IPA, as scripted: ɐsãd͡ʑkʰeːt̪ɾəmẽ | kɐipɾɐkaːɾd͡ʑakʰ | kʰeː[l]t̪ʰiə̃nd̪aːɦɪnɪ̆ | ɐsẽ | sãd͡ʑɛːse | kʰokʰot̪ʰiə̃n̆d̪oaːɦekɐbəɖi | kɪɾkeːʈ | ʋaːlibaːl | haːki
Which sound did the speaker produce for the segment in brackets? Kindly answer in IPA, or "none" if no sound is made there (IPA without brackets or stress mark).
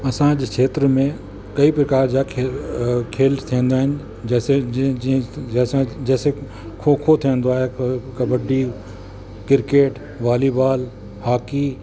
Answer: l